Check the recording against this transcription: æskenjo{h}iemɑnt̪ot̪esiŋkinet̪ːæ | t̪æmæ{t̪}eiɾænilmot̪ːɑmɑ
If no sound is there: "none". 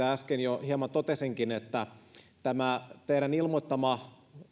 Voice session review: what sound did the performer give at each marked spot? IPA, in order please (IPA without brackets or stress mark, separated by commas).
h, t̪